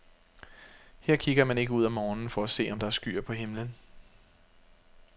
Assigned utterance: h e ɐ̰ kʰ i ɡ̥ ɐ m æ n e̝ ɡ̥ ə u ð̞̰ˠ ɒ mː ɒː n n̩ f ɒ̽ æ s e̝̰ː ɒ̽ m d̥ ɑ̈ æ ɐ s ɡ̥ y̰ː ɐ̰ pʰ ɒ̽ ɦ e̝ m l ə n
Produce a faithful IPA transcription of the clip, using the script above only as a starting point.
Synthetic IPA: h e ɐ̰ kʰ i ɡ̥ ɐ m æ n e̝ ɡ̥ ə u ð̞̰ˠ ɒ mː ɒː n n̩ f ɒ̽ æ s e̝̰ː ɒ̽ m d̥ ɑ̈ æ ɐ s ɡ̥ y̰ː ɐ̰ pʰ ɒ̽ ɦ e̝ m l ə n